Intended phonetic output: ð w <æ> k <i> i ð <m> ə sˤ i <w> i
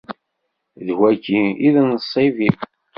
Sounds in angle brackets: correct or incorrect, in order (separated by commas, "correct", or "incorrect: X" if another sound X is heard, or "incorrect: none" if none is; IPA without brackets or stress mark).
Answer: correct, correct, incorrect: n, incorrect: v